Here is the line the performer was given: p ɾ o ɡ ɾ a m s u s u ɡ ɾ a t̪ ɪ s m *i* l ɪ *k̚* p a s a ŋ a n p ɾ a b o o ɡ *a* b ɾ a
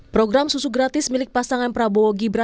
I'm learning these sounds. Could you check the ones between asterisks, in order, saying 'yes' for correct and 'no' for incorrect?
yes, yes, no

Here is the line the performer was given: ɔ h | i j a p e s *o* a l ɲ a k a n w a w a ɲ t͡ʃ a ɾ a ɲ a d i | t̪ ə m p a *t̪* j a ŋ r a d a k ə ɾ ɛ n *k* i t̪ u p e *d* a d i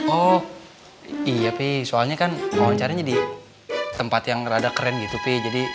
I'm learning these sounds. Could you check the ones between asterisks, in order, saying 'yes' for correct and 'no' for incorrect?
yes, yes, no, no

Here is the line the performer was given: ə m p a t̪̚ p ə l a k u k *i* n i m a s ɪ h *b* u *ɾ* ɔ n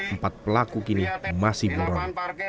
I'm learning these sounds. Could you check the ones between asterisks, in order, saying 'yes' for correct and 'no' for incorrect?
yes, yes, yes

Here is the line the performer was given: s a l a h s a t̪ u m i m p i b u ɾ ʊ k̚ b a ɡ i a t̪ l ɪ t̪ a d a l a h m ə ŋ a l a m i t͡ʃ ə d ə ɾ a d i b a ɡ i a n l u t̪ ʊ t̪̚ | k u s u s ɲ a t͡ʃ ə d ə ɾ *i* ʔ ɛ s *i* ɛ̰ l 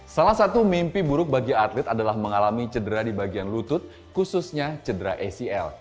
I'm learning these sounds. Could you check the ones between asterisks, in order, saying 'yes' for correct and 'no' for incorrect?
no, yes

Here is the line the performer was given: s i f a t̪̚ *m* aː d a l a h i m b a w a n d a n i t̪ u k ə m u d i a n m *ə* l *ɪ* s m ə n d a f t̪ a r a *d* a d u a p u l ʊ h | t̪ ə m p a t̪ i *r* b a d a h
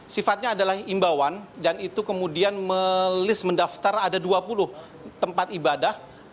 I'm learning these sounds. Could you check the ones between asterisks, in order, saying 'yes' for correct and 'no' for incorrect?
no, yes, yes, yes, no

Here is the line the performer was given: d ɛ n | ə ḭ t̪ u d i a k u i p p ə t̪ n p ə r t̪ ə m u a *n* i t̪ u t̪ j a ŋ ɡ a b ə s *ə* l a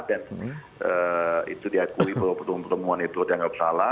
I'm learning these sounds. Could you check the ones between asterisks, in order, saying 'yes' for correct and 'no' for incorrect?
yes, no

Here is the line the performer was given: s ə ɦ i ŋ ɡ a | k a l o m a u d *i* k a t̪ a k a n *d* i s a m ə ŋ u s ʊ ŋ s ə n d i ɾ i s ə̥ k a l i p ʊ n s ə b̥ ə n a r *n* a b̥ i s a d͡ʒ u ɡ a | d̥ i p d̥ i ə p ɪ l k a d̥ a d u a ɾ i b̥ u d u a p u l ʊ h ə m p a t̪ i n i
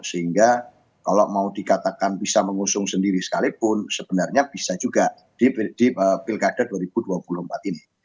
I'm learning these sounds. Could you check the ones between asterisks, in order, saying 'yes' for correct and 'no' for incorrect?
yes, no, no

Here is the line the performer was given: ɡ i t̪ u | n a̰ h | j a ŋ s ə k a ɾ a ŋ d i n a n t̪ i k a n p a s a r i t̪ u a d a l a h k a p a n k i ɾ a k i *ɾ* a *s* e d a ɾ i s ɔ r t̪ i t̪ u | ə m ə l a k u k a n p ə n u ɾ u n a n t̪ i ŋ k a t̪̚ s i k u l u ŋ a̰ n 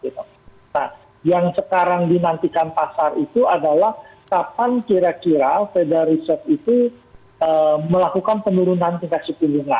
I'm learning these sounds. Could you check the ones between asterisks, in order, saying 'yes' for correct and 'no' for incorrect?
yes, no

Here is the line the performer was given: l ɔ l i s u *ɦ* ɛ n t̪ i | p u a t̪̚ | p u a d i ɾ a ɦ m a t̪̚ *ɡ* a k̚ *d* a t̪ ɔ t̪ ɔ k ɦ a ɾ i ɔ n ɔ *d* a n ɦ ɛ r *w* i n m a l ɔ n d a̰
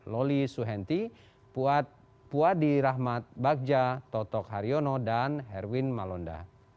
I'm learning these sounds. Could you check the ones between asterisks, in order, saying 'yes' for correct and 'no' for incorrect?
yes, no, no, yes, yes

